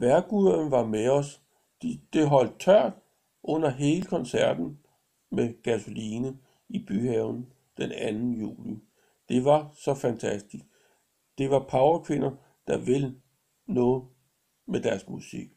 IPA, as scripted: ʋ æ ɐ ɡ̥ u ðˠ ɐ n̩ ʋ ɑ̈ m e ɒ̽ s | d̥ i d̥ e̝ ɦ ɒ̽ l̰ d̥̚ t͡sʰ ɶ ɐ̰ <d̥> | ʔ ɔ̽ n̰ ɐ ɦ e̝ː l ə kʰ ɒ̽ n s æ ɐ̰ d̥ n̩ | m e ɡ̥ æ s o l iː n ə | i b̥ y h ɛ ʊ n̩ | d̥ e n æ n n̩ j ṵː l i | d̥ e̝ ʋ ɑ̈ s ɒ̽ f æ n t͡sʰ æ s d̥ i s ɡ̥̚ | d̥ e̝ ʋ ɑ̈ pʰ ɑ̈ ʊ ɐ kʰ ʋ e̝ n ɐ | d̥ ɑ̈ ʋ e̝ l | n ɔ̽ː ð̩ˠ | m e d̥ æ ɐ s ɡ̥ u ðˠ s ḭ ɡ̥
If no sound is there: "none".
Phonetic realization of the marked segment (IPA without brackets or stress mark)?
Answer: d̥